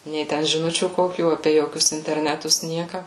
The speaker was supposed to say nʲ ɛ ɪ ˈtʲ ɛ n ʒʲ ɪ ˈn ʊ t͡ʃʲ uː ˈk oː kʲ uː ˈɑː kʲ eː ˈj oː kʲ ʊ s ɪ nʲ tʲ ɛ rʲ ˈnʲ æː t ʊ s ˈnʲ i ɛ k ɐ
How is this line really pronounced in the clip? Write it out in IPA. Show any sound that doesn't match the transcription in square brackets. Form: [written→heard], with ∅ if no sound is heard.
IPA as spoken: nʲ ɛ ɪ ˈtʲ ɛ n ʒʲ ɪ ˈn ʊ t͡ʃʲ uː ˈk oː kʲ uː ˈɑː [kʲ→pʲ] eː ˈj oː kʲ ʊ s ɪ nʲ tʲ ɛ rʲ ˈnʲ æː t ʊ s ˈnʲ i ɛ k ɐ